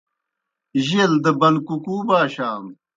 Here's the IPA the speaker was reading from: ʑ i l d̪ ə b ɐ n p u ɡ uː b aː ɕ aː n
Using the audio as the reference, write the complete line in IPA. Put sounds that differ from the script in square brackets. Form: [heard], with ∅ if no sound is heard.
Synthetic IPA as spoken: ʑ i l d̪ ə b ɐ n [k] u [k] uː b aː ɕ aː [m]